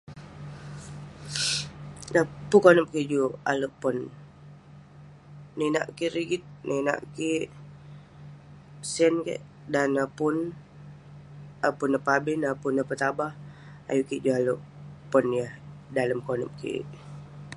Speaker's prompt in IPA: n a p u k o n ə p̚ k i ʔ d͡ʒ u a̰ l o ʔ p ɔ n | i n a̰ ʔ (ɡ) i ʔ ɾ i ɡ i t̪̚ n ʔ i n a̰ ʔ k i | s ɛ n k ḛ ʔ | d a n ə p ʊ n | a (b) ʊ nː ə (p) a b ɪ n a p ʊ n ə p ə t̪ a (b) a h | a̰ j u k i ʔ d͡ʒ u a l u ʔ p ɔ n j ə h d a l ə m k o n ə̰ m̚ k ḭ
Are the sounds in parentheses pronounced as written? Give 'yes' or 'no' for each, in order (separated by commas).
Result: no, no, yes, yes